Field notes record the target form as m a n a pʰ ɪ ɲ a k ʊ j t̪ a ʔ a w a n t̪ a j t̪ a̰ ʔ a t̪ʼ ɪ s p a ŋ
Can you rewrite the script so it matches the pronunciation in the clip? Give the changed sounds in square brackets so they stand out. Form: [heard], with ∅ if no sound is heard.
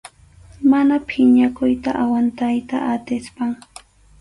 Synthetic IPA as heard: m a n a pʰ ɪ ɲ a k ʊ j t̪ a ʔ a w a n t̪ a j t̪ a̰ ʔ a [t̪] ɪ s p a ŋ

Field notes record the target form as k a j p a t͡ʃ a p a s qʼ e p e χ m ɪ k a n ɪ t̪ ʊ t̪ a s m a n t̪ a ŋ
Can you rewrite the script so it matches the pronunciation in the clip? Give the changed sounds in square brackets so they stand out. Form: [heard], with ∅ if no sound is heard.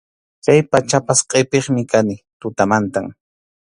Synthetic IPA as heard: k a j p a t͡ʃ a p a s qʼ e p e χ m ɪ k a n ɪ t̪ ʊ t̪ a [∅] m a n t̪ a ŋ

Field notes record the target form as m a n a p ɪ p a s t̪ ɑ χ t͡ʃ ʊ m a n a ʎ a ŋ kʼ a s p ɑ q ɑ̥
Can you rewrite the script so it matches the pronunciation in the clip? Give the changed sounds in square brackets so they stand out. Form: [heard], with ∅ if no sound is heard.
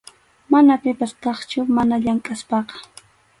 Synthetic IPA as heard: m a n a p ɪ p a s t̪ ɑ χ t͡ʃ ʊ m a n a ʎ a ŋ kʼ a s p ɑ q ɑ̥

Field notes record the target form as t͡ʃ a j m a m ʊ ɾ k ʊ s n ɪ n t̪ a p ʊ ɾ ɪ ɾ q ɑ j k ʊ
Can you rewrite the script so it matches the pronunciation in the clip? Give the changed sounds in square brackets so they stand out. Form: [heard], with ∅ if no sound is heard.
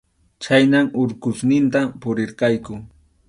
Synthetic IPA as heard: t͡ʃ a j [n] a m ʊ ɾ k ʊ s n ɪ n t̪ a p ʊ ɾ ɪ ɾ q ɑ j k ʊ

